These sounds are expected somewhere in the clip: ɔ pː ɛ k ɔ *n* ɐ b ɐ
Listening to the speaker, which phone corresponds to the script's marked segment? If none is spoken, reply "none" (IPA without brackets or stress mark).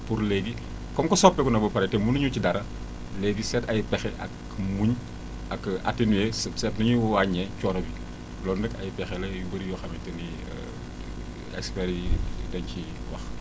n